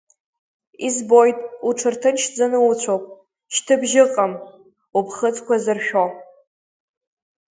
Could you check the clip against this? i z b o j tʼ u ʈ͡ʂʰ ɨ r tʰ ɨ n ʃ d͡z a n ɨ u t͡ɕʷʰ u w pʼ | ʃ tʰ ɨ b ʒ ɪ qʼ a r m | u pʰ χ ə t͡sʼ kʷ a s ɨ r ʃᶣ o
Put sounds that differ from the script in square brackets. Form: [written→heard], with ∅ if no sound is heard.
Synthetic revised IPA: i z b o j tʼ u ʈ͡ʂʰ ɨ r tʰ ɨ n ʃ d͡z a n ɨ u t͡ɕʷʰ [u→o] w pʼ | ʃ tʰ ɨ b ʒ ɪ qʼ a [r→∅] m | u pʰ χ ə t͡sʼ kʷ a [s→z] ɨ r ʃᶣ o